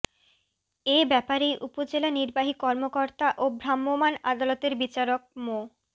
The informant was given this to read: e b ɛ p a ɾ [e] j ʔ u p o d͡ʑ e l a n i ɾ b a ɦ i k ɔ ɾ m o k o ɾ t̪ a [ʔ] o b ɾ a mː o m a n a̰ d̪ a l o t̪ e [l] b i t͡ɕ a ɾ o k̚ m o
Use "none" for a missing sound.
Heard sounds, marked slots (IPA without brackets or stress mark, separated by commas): e, ʔ, ɾ